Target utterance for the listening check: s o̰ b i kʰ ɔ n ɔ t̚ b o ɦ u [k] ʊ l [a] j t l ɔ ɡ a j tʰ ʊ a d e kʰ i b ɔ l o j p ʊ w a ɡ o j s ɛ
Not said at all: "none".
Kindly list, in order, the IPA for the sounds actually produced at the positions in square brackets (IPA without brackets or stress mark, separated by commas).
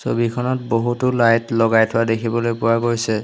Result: t, a